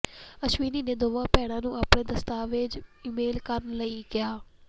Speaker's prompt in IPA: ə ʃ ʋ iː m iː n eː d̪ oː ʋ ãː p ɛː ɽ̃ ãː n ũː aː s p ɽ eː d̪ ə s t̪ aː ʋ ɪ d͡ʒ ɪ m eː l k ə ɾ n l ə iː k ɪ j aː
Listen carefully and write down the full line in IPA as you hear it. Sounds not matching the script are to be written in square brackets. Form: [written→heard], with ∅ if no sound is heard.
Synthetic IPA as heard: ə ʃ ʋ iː [m→n] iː n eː d̪ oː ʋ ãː p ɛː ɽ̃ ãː n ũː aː [s→∅] p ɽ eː d̪ ə s t̪ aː ʋ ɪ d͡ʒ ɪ m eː l k ə ɾ n l ə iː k ɪ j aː